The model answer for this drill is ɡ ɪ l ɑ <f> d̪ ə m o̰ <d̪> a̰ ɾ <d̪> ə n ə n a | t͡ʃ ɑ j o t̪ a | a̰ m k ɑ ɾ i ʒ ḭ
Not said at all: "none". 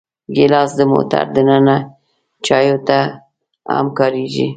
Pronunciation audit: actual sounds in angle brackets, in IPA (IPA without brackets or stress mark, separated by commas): s, t̪, d̪